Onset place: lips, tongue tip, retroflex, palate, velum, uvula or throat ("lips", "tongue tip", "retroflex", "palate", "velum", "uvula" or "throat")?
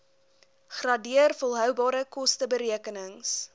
uvula